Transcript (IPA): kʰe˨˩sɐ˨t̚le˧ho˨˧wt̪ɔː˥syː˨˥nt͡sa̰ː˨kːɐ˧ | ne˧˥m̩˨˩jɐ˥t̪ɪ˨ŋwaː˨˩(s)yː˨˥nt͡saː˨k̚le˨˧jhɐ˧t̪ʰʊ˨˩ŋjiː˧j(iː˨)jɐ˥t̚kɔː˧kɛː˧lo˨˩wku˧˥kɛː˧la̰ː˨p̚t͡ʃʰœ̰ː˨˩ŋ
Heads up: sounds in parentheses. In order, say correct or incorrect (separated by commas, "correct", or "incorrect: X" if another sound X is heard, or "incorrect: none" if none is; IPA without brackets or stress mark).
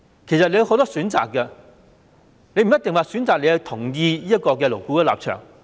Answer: correct, incorrect: iː˥